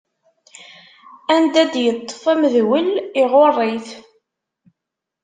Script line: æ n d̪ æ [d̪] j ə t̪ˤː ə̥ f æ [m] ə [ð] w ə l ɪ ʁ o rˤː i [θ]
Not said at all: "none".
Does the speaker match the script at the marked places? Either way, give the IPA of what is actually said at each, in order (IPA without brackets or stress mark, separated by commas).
d̪, m, ð, θ